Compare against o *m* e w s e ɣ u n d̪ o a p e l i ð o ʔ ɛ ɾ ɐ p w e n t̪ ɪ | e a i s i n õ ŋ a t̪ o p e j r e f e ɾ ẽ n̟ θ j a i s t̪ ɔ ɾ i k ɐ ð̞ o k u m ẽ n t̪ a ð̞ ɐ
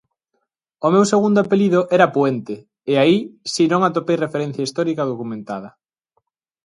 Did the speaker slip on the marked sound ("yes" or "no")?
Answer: no